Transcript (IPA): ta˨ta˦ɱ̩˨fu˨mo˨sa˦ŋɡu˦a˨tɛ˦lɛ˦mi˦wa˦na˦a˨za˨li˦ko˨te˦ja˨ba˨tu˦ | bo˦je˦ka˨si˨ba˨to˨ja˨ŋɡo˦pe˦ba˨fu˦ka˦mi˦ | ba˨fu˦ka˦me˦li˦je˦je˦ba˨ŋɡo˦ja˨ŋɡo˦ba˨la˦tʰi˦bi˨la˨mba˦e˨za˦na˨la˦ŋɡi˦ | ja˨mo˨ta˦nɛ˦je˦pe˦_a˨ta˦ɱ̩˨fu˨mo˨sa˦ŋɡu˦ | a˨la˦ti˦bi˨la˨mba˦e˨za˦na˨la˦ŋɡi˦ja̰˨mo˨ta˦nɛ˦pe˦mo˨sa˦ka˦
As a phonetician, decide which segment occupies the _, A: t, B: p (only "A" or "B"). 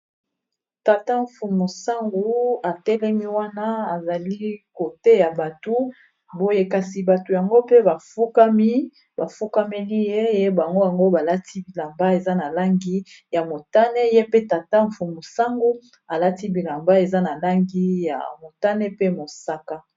A